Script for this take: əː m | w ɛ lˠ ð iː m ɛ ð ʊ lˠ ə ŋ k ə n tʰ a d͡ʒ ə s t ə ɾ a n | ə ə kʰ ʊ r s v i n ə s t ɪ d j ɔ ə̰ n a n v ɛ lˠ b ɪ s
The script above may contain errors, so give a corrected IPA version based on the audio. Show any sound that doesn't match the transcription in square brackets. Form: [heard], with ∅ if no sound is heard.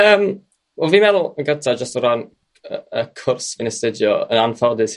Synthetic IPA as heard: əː m | w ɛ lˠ [v] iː m ɛ ð ʊ lˠ ə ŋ [ɡ] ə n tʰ a d͡ʒ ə s t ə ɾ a n | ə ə kʰ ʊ r s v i n ə s t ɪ d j ɔ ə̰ n a n [f] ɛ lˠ [d] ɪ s